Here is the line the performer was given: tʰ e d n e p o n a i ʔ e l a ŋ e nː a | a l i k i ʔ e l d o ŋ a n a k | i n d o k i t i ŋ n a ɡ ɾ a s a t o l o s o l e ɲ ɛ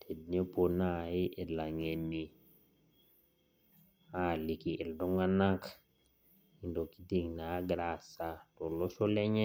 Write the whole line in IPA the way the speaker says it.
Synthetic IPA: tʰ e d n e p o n a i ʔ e l a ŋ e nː i | a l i k i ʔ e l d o ŋ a n a k | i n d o k i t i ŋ n a ɡ ɾ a s a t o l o s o l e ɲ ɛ